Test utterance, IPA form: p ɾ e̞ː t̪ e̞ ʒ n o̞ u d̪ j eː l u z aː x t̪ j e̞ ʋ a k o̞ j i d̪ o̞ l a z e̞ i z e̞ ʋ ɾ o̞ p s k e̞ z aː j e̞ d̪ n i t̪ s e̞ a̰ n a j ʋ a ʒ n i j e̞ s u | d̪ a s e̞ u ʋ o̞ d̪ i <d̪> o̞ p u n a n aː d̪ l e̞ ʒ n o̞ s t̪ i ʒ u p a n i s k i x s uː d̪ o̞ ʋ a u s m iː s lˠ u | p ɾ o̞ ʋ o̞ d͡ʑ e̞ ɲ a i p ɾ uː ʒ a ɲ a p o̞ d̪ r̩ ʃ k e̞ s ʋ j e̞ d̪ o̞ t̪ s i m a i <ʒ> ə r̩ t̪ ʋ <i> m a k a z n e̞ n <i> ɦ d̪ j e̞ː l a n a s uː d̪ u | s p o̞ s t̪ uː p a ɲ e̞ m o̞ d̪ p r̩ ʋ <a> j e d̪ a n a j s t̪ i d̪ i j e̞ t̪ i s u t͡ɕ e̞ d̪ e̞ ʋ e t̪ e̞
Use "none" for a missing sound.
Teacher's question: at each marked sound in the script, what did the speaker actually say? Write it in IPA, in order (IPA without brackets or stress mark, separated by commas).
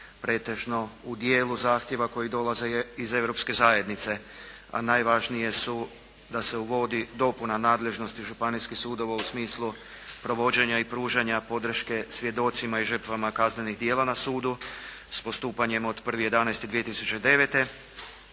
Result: d̪, ʒ, a, i, i